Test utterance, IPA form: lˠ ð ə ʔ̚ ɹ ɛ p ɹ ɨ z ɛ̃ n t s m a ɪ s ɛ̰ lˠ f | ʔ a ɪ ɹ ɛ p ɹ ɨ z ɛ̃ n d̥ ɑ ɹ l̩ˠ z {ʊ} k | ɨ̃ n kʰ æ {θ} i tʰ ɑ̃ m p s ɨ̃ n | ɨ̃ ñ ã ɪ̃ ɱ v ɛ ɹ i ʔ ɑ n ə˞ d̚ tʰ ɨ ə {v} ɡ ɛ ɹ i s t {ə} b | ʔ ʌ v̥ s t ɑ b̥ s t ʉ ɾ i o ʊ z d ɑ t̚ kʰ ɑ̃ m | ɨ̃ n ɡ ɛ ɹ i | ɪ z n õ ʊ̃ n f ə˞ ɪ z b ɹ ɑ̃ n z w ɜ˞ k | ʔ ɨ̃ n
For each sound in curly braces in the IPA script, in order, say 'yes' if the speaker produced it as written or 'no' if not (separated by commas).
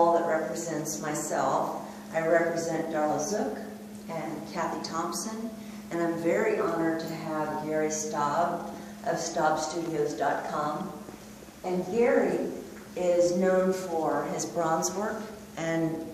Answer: yes, yes, yes, no